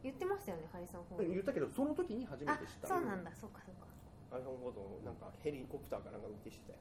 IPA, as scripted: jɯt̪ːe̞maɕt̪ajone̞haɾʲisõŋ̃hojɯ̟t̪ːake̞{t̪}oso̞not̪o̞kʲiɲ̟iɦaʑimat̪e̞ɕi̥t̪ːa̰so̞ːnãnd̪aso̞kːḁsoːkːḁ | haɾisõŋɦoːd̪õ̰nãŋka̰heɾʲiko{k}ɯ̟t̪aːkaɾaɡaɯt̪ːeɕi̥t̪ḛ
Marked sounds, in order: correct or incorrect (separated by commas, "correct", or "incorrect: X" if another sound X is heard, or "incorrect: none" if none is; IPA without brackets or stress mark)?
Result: incorrect: d̪, incorrect: p